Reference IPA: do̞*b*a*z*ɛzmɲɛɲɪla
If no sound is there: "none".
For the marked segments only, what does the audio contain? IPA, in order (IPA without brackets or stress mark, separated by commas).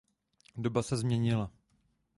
b, s